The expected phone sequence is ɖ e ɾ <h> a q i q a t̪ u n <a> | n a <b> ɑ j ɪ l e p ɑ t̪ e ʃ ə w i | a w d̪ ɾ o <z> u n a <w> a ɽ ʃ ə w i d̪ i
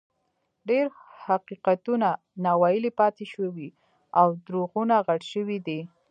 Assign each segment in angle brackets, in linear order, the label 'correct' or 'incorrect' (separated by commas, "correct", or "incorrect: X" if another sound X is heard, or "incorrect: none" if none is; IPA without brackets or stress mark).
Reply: correct, correct, incorrect: w, incorrect: ɣ, incorrect: ɣ